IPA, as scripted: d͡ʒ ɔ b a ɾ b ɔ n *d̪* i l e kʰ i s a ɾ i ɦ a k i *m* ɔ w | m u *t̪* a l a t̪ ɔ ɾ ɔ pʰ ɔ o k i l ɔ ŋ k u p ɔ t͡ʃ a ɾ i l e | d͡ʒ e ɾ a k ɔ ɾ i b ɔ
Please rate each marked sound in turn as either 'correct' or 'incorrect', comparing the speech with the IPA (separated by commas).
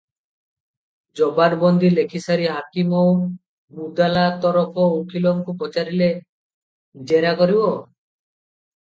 correct, correct, incorrect